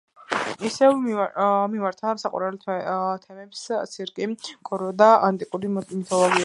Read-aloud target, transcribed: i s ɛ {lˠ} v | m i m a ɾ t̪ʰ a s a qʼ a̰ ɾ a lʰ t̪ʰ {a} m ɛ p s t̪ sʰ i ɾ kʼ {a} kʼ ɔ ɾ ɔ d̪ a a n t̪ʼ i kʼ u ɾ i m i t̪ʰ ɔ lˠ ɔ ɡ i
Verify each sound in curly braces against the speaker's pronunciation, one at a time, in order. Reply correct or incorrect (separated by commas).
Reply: incorrect, incorrect, incorrect